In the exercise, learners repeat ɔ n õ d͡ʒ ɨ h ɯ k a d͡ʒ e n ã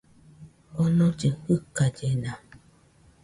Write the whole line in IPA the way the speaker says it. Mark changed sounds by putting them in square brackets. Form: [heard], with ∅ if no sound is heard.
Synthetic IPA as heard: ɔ n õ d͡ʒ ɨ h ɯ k a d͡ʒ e n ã